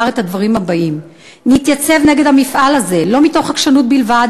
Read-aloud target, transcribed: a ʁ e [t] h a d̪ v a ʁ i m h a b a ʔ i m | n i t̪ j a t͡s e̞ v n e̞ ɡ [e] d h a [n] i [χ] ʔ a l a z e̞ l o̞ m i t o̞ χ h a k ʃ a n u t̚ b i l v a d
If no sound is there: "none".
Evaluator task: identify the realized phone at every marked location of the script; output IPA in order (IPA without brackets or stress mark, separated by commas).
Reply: t, e, m, f